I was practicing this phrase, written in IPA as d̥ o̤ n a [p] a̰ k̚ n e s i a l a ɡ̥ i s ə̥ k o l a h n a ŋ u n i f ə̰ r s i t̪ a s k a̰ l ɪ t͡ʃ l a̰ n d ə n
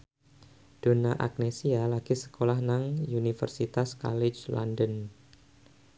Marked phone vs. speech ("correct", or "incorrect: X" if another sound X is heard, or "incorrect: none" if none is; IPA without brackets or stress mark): incorrect: ʔ